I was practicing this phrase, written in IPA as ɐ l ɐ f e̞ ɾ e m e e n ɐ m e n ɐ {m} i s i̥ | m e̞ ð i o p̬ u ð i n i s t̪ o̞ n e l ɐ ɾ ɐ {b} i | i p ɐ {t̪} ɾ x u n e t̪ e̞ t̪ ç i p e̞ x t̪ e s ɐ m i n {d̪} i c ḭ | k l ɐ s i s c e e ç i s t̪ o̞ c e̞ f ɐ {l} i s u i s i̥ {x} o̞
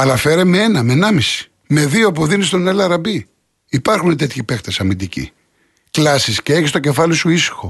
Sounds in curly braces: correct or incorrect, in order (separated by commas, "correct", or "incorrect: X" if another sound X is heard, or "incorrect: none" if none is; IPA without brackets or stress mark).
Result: correct, correct, incorrect: none, correct, correct, correct